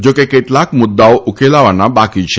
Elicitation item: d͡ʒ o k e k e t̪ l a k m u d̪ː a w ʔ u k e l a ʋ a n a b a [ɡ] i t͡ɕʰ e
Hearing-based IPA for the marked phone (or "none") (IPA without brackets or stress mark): k